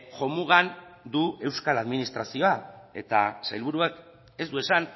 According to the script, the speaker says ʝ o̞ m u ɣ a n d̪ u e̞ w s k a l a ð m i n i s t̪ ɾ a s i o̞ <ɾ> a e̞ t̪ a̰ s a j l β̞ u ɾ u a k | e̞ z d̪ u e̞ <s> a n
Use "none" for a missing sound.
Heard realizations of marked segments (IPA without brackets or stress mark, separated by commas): none, s